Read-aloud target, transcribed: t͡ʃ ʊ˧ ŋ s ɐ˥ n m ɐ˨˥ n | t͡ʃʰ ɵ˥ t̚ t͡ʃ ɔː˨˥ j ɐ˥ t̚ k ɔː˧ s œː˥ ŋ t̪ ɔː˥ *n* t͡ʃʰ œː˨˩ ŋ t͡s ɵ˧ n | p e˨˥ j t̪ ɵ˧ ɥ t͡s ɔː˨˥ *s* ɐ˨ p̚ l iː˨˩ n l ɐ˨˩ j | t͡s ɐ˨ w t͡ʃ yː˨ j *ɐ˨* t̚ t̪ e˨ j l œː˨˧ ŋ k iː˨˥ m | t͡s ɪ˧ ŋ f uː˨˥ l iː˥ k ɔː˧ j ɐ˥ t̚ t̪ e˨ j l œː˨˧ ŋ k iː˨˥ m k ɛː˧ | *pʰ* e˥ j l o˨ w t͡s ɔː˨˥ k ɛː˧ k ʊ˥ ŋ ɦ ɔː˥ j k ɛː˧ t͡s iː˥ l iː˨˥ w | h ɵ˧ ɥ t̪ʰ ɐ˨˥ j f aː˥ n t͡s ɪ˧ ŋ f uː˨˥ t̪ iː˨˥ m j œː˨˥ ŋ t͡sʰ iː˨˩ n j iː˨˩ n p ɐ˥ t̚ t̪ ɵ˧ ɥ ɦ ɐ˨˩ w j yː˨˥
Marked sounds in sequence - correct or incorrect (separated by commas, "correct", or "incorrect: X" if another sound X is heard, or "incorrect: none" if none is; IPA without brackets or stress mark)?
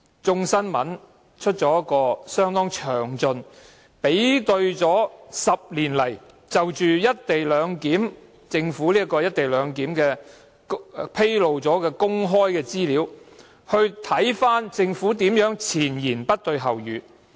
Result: incorrect: ŋ, correct, incorrect: ɐ˥, correct